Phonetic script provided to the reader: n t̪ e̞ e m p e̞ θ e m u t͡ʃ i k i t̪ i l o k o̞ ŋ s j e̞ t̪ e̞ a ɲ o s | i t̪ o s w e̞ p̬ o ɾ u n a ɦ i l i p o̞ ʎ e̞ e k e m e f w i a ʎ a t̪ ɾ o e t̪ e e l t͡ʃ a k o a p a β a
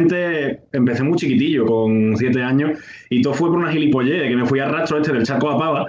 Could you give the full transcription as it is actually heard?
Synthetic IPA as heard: n t̪ e̞ e m p e̞ θ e m u t͡ʃ i k i t̪ i ʎ o k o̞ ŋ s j e̞ t̪ e̞ a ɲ o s | i t̪ o f w e̞ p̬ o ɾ u n a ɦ i l i p o̞ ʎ e̞ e k e m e f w i a r a t̪ ɾ o e t̪ e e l t͡ʃ a k o a p a β a